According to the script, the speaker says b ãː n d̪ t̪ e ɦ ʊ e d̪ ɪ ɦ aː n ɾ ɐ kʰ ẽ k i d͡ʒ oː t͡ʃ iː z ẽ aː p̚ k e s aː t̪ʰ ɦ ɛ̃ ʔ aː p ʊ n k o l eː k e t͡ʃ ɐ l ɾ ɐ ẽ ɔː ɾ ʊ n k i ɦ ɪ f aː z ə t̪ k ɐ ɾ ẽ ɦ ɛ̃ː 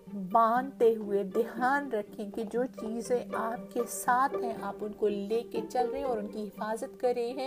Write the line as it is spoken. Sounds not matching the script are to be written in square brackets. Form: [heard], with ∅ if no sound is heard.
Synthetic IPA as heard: b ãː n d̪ t̪ e ɦ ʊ e d̪ ɪ ɦ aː n ɾ ɐ kʰ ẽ k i d͡ʒ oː t͡ʃ iː z ẽ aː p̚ k e s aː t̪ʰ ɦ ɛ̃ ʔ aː p ʊ n k o l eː k e t͡ʃ ɐ l ɾ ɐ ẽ ɔː ɾ ʊ n k i ɦ ɪ f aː z ə t̪ k ɐ ɾ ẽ ɦ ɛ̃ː